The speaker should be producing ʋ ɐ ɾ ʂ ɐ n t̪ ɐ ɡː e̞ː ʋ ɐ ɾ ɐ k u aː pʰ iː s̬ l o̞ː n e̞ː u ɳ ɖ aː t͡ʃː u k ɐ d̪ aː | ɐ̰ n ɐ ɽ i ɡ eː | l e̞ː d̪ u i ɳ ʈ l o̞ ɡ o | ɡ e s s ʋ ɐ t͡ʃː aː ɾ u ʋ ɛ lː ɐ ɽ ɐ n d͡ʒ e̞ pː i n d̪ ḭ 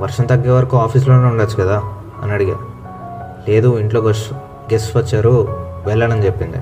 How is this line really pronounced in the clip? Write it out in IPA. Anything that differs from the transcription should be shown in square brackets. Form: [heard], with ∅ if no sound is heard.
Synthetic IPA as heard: ʋ ɐ ɾ ʂ ɐ n t̪ ɐ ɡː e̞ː ʋ ɐ ɾ ɐ k u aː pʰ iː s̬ l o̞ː n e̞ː u ɳ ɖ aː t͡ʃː u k ɐ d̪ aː | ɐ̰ n ɐ ɽ i ɡ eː | l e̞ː d̪ u i ɳ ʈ l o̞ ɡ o | ɡ e s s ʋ ɐ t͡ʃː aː ɾ u ʋ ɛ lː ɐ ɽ ɐ n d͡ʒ e̞ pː i n d̪ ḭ